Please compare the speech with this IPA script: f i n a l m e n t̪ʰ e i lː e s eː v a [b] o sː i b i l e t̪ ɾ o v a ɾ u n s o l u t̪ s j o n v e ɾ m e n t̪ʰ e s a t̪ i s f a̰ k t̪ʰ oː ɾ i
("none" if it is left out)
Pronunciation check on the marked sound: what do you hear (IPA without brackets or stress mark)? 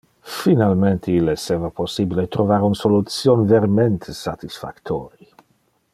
p